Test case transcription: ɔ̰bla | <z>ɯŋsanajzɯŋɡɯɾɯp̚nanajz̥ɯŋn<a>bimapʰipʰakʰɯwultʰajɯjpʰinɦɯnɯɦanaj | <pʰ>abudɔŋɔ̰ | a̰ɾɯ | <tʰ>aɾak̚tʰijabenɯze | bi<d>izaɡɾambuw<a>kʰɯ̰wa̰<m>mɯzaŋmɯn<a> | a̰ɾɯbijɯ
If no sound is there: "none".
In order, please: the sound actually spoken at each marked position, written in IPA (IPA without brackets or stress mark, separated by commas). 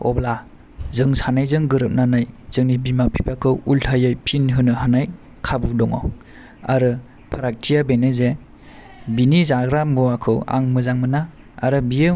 z, i, kʰ, pʰ, n, a, ŋ, a